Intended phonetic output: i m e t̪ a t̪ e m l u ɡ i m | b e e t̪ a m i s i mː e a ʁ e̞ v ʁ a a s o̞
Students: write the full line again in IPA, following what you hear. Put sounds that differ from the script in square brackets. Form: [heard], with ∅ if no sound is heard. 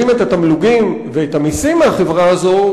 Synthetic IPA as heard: i m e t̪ a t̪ [a] m l u ɡ i m | [v] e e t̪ a m i s i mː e a [χ] e̞ v ʁ a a [z] o̞